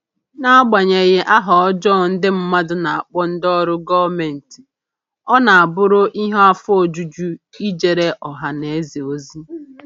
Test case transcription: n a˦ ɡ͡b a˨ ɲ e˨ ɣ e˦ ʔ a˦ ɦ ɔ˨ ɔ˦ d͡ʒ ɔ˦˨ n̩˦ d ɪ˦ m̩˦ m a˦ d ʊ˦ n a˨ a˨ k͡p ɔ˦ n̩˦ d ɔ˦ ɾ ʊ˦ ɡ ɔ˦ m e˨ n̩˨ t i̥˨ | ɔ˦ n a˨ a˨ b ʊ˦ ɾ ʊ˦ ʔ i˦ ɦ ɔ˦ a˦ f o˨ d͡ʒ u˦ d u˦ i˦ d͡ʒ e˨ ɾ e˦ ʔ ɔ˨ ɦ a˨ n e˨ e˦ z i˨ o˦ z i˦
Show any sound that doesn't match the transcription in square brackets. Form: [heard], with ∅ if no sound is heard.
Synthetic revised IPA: n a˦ ɡ͡b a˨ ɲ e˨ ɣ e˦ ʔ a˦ ɦ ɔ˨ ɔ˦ d͡ʒ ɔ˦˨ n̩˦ d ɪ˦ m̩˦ m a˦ d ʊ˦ n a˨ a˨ k͡p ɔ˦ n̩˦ d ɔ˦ ɾ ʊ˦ ɡ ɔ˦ m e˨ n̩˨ t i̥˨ | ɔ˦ n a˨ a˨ b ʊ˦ ɾ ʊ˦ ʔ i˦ ɦ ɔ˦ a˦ f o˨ d͡ʒ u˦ [d͡ʒ] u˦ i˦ d͡ʒ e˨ ɾ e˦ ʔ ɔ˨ ɦ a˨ n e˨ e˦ z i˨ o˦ z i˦

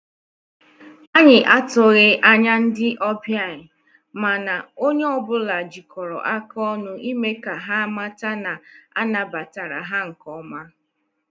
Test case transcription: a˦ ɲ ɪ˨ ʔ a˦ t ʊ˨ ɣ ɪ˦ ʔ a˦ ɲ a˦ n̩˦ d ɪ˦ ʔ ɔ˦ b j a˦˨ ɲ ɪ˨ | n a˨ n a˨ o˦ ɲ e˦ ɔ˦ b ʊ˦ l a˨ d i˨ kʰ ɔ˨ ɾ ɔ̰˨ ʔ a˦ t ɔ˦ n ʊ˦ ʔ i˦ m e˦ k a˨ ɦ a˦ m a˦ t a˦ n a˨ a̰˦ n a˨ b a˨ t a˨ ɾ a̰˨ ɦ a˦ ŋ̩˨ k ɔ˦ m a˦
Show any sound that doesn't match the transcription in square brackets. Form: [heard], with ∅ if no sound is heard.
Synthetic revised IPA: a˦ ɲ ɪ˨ ʔ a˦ t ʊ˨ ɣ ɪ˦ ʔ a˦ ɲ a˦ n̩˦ d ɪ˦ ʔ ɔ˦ b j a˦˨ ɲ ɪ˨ | [m] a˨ n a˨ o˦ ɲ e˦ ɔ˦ b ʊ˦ l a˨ [d͡ʒ] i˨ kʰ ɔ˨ ɾ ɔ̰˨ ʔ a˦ [k] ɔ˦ n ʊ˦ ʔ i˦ m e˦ k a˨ ɦ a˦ m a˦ t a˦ n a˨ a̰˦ n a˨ b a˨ t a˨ ɾ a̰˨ ɦ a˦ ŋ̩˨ k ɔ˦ m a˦

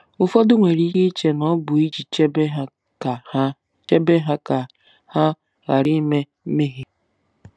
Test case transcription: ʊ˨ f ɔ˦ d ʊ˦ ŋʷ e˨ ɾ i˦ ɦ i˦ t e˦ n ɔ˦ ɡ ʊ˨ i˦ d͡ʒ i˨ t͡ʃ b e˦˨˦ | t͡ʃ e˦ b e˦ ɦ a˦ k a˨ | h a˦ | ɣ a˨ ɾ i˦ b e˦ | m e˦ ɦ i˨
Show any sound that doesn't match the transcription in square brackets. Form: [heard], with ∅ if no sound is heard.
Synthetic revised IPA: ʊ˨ f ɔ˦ d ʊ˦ ŋʷ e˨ ɾ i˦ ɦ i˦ [t͡ʃ] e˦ n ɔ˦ [b] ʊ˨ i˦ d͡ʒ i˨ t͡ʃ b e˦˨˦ | t͡ʃ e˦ b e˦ ɦ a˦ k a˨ | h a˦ | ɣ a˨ ɾ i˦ [m] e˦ | m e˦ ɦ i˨

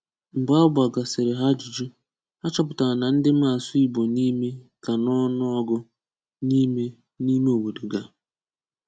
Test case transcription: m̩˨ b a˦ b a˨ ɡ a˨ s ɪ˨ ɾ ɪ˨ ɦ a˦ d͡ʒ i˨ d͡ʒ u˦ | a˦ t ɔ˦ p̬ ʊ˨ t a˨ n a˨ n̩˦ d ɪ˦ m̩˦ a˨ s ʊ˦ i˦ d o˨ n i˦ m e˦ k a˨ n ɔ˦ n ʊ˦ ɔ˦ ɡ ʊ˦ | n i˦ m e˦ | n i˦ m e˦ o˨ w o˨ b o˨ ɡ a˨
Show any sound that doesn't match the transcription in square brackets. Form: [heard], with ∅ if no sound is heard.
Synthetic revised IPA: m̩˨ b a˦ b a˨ ɡ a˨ s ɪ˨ ɾ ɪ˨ ɦ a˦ d͡ʒ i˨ d͡ʒ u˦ | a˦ [t͡ʃ] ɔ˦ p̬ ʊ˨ t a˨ n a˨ n̩˦ d ɪ˦ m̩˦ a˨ s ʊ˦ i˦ [b] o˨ n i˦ m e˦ k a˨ n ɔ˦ n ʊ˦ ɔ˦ ɡ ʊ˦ | n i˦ m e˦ | n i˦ m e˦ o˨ w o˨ [d] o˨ ɡ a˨

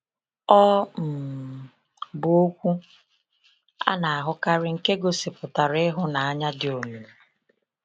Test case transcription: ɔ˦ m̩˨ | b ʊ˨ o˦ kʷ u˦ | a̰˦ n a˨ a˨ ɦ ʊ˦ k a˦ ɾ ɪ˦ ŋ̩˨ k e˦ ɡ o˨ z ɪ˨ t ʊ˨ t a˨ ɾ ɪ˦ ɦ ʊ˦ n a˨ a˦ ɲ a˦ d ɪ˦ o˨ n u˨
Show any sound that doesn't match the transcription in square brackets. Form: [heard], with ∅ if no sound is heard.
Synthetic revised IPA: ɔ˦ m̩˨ | b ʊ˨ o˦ kʷ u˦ | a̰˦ n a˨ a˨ ɦ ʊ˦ k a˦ ɾ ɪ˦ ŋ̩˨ k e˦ ɡ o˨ [s] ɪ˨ [p] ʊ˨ t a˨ ɾ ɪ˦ ɦ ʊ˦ n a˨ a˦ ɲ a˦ d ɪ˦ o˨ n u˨

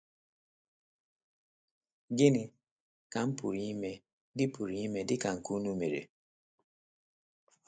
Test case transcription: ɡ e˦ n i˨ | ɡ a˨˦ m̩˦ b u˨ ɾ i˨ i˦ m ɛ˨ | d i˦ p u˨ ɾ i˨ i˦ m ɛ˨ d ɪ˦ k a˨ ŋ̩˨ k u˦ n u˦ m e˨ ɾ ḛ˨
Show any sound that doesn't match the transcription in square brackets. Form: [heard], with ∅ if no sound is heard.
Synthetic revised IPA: ɡ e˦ n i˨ | [k] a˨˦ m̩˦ [p] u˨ ɾ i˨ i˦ m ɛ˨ | d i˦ p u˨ ɾ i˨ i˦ m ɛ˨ d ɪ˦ k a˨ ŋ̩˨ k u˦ n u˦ m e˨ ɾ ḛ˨

